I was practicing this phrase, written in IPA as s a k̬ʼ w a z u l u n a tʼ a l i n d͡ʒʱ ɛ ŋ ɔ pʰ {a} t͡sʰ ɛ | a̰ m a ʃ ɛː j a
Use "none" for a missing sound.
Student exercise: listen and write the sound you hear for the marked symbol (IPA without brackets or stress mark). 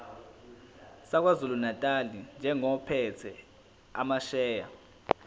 ɛ